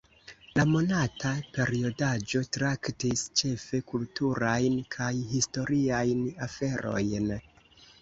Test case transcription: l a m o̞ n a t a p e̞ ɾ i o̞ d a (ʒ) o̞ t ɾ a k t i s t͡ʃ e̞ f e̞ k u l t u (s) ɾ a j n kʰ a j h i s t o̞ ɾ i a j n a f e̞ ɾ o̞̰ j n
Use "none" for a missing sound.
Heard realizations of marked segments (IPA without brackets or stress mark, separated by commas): d͡ʒ, none